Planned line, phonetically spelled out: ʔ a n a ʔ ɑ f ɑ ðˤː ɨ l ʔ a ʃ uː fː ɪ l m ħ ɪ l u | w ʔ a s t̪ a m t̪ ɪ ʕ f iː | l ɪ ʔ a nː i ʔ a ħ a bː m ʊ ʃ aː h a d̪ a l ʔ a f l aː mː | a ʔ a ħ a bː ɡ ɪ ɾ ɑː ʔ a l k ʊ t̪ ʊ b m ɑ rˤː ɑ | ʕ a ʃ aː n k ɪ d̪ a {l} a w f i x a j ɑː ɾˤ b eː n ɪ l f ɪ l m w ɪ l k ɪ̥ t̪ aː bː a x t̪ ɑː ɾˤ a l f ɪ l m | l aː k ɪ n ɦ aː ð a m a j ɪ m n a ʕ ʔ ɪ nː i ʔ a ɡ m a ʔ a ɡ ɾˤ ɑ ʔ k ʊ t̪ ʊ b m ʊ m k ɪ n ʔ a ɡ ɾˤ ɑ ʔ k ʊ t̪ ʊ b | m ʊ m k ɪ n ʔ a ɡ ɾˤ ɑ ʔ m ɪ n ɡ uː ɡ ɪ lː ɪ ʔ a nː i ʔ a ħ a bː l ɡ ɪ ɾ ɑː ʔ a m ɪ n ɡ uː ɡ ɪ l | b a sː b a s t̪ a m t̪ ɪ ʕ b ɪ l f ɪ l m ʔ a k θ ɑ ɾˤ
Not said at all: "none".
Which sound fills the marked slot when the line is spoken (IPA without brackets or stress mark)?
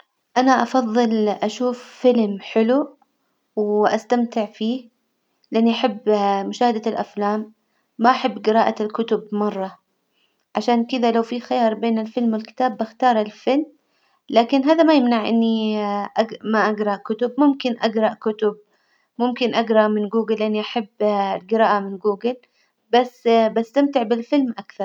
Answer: l